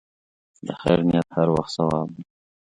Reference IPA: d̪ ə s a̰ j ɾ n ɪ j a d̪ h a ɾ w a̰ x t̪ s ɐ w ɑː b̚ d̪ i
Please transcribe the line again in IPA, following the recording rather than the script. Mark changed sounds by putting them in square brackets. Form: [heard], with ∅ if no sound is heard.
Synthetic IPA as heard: d̪ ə [x] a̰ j ɾ n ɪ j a [t̪] h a ɾ w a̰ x t̪ s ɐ w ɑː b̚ d̪ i